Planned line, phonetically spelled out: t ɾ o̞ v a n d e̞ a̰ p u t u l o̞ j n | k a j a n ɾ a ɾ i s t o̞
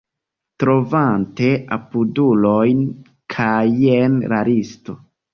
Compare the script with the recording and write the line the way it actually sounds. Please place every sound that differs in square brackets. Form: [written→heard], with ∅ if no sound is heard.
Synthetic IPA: t ɾ o̞ v a n [d→t] e̞ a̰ p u [t→d] u l o̞ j n | [k→kʰ] a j [a→e] n ɾ a ɾ i s t o̞